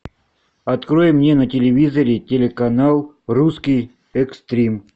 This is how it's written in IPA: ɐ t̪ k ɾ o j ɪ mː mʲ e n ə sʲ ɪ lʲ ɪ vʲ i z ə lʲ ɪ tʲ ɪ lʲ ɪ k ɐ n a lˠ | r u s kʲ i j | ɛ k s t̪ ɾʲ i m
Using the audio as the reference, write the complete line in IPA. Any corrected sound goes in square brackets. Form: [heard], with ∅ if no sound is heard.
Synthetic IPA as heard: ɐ t̪ k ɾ o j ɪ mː [nʲ] e n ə [tʲ] ɪ lʲ ɪ vʲ i z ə [ɾʲ] ɪ tʲ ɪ lʲ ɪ k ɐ n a lˠ | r u s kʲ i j | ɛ k s t̪ ɾʲ i m